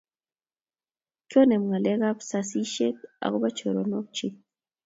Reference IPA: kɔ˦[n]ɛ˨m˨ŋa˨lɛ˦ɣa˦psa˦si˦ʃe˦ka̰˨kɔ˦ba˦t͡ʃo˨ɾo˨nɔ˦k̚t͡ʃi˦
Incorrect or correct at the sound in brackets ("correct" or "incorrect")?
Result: correct